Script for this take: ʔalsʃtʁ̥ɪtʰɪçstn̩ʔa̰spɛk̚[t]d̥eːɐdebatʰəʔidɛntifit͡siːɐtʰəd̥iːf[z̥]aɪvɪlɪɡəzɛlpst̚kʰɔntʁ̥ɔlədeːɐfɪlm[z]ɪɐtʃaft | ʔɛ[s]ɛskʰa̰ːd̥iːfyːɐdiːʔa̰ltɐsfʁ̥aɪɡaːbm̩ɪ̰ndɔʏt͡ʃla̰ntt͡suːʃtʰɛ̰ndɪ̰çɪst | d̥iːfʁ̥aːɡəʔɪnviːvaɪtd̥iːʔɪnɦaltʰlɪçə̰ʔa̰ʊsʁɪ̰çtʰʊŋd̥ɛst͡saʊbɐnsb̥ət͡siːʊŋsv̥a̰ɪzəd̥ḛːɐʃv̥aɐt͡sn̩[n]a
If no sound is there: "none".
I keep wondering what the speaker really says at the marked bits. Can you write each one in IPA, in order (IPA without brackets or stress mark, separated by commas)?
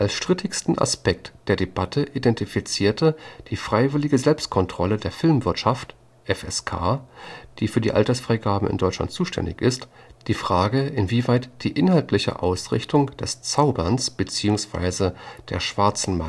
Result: t, ʁ̥, v, f, m